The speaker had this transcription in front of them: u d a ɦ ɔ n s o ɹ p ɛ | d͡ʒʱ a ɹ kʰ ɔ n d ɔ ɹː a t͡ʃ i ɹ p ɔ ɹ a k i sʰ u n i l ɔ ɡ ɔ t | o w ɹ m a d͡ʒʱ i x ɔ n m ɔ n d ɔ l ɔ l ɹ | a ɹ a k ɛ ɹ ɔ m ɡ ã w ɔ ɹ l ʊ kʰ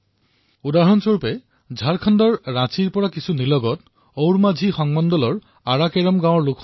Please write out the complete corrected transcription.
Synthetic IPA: u d a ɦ ɔ n s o ɹ p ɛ | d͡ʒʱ a ɹ kʰ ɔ n d ɔ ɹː a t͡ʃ i ɹ p ɔ ɹ a k i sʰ u n i l ɔ ɡ ɔ t | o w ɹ m a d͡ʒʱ i x ɔ ŋ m ɔ n d ɔ l ɔ ɹ | a ɹ a k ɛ ɹ ɔ m ɡ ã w ɔ ɹ l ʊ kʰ